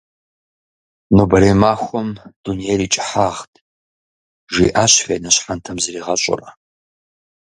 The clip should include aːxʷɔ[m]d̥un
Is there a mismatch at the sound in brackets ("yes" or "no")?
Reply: no